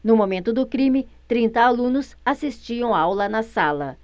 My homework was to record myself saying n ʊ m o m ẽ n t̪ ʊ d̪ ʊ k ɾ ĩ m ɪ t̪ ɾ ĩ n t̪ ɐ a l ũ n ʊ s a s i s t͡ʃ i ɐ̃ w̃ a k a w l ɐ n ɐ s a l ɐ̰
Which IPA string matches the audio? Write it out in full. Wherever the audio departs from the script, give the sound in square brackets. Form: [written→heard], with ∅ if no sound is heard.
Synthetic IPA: n ʊ m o m ẽ n t̪ ʊ d̪ ʊ k ɾ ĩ m ɪ t̪ ɾ ĩ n t̪ ɐ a l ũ n ʊ s a s i s t͡ʃ i ɐ̃ w̃ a [k→∅] a w l ɐ n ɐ s a l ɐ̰